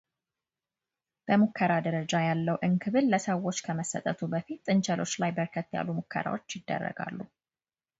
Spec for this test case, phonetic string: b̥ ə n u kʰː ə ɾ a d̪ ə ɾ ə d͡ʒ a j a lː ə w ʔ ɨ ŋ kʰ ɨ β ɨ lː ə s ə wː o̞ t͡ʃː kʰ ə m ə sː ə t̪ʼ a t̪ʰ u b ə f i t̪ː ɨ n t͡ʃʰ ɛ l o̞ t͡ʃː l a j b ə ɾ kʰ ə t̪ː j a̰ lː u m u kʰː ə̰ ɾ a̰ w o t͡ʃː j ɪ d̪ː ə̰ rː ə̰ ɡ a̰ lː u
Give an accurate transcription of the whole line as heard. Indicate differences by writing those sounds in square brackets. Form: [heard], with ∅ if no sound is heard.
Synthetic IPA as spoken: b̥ ə [m] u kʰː ə ɾ a d̪ ə ɾ ə d͡ʒ a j a lː ə w ʔ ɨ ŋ kʰ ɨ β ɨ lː ə s ə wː o̞ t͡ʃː kʰ ə m ə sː ə t̪ʼ [ə] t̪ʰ u b ə f i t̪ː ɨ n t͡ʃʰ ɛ l o̞ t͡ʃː l a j b ə ɾ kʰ ə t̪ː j a̰ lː u m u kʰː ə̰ ɾ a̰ w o t͡ʃː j ɪ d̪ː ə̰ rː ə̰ ɡ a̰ lː u